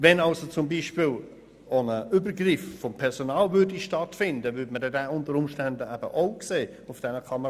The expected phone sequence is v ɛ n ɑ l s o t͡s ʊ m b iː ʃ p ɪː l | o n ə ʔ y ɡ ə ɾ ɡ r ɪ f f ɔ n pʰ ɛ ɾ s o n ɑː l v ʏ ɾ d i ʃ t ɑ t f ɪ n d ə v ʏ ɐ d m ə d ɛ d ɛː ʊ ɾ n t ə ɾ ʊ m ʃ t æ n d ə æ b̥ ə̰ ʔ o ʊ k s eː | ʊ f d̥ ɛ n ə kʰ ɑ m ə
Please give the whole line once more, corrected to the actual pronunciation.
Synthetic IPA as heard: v ɛ n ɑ l s o t͡s ʊ m b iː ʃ p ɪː l | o n ə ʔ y b ə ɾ ɡ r ɪ f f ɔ m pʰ ɛ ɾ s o n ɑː l v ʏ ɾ d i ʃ t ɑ t f ɪ n d ə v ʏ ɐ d m ə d ɛ d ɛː ʊ n t ə ɾ ʊ m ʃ t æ n d ə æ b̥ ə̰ ʔ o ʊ k s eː | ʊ f d̥ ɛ n ə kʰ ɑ m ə